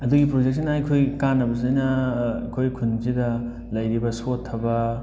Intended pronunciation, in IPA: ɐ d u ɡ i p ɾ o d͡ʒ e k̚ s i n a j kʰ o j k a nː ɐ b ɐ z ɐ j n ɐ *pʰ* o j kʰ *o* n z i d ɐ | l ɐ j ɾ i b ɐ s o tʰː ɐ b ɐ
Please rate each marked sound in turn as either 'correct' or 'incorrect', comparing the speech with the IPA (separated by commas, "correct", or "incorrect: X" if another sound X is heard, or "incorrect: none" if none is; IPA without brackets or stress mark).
incorrect: kʰ, incorrect: u